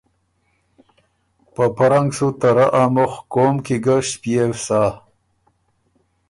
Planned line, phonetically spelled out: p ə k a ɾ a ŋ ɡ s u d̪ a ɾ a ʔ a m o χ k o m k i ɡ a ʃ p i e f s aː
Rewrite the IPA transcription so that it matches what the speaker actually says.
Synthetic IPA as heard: p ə p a ɾ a ŋ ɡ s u t̪ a ɾ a ʔ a m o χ k o m k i ɡ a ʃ p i e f s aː

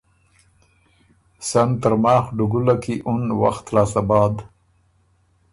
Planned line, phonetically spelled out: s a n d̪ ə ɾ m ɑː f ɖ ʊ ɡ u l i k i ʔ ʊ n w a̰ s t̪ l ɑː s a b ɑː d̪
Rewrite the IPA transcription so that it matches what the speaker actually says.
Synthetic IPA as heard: s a n t̪ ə ɾ m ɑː x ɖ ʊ ɡ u l a k i ʔ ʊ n w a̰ x t̪ l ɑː s a b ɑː d̪

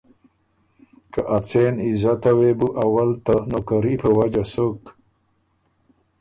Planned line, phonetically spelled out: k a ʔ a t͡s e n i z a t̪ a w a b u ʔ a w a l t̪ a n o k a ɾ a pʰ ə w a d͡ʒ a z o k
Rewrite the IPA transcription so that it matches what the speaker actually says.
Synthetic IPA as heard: k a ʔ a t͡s e n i z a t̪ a w e b u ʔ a w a l t̪ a n o k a ɾ i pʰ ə w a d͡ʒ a s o k

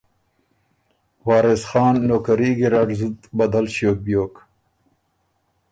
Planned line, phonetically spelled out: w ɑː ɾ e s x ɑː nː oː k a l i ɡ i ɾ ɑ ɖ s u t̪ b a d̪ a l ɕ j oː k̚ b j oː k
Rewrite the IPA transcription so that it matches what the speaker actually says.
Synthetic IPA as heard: w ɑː ɾ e s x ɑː nː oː k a ɾ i ɡ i ɾ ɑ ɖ z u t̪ b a d̪ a l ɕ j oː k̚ b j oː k

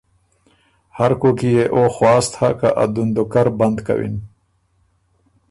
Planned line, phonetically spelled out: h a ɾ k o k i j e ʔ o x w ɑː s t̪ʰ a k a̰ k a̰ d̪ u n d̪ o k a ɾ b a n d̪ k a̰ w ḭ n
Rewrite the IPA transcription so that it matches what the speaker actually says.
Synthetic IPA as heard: h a ɾ k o k i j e ʔ o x w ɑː s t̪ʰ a k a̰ ʔ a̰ d̪ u n d̪ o k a ɾ b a n d̪ k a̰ w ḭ n

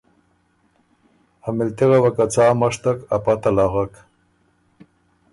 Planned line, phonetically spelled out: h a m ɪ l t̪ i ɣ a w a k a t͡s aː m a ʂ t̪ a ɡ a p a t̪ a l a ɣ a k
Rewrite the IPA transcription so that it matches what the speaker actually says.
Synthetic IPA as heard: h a m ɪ l t̪ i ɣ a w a k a t͡s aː m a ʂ t̪ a k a p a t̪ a l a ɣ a k

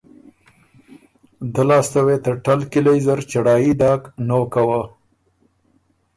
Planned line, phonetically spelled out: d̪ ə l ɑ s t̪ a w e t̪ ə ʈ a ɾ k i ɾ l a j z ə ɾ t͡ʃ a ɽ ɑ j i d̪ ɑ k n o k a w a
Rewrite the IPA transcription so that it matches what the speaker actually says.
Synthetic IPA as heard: d̪ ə l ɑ s t̪ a w e t̪ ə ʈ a l k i l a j z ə ɾ t͡ʃ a ɽ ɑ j i d̪ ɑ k n o k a w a

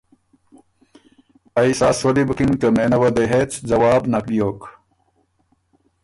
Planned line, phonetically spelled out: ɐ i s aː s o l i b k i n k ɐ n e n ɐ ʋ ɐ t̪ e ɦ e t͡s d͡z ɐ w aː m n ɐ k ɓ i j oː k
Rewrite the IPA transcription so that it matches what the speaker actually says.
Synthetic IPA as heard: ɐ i s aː s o l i b k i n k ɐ m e n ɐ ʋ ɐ d̪ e ɦ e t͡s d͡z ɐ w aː b n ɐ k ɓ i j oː k

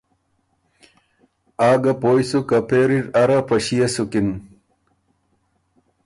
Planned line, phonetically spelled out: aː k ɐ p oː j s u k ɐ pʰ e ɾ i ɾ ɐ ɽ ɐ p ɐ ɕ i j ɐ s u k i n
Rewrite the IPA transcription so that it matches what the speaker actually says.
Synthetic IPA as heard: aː ɡ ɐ p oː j s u k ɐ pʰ e ɾ i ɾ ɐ ɾ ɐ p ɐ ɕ i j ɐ s u k i n

